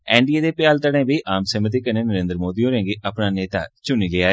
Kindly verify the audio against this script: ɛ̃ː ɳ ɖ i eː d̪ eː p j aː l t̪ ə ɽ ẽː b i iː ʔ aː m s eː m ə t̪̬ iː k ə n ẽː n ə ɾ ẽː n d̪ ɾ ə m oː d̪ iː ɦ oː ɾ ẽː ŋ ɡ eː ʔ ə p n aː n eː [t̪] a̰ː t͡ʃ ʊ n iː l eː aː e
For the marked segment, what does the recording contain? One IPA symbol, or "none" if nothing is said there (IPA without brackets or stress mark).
t̪